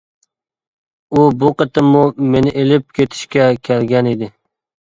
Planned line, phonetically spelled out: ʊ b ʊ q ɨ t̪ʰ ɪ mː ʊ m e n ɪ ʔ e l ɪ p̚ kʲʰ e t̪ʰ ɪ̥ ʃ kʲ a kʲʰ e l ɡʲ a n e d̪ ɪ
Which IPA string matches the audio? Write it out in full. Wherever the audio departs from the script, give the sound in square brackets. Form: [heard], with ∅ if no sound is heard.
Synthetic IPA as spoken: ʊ b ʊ q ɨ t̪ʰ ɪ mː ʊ m e n ɪ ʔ e l ɪ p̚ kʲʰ e t̪ʰ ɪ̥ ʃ kʲ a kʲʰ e l ɡʲ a n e d̪ ɪ